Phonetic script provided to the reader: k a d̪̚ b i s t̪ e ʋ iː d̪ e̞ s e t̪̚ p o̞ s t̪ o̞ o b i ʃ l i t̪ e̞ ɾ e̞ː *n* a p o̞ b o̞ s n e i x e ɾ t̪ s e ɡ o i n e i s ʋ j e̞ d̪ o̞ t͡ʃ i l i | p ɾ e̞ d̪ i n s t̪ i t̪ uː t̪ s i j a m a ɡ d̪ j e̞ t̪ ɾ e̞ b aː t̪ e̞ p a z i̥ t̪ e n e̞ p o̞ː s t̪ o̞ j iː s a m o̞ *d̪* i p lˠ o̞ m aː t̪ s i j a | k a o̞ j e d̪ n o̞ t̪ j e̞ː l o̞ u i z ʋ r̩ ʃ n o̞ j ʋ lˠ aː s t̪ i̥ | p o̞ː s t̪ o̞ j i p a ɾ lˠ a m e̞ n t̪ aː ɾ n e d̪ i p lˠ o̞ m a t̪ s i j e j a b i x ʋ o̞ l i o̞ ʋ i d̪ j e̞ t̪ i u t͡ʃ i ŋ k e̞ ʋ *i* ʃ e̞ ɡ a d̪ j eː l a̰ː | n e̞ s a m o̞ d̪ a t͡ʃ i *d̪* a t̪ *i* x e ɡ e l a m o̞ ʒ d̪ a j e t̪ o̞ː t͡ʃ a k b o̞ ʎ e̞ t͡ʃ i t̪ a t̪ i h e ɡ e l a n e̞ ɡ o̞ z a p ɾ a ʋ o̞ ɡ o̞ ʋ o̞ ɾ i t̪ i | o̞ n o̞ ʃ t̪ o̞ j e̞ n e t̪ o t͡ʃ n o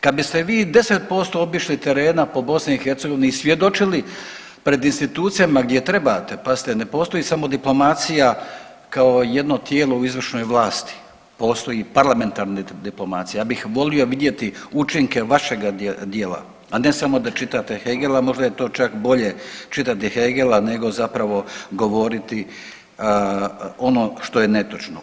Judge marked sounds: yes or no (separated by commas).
yes, yes, no, no, no